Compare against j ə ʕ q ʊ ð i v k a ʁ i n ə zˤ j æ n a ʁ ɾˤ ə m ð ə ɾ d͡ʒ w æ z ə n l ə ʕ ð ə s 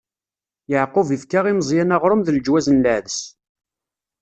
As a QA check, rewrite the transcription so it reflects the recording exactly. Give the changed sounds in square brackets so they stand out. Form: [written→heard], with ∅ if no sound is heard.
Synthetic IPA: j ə ʕ q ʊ [ð→v] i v k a ʁ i [n→m] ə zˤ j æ n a ʁ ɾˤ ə m ð ə [ɾ→l] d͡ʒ w æ z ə n l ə ʕ ð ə s